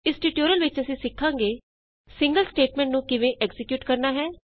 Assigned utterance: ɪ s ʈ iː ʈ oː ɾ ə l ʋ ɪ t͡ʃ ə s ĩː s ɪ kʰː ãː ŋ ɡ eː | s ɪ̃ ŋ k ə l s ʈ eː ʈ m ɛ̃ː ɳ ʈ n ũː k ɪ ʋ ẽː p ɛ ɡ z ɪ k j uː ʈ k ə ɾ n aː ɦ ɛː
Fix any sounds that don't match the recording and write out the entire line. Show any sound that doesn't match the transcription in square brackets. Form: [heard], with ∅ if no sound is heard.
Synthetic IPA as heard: ɪ s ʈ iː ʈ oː ɾ ə l ʋ ɪ t͡ʃ ə s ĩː s ɪ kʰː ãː ŋ ɡ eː | s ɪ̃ ŋ [ɡ] ə l s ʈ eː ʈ m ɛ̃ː ɳ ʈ n ũː k ɪ ʋ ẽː [ʔ] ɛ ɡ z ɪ k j uː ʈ k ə ɾ n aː ɦ ɛː